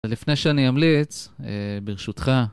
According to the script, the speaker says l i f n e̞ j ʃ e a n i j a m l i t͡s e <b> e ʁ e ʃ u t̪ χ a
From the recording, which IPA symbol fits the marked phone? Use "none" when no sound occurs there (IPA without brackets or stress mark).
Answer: b